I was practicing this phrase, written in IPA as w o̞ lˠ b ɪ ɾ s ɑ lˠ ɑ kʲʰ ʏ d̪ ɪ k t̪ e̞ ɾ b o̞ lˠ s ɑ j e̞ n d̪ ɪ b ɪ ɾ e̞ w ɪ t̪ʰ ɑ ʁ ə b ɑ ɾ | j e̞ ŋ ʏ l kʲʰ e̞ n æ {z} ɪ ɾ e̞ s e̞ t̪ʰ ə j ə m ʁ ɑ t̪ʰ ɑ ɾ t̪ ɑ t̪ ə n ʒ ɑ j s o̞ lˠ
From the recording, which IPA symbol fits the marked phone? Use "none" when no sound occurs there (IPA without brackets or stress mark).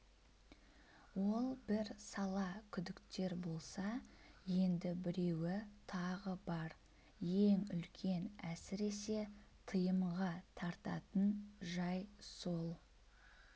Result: s